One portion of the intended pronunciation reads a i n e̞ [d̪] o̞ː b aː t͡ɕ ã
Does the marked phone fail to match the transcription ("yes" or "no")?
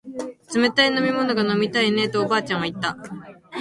yes